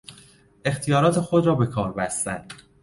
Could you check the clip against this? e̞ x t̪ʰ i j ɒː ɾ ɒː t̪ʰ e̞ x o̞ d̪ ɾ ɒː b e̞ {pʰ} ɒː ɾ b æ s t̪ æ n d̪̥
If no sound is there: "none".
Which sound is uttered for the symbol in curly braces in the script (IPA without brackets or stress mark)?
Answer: kʰ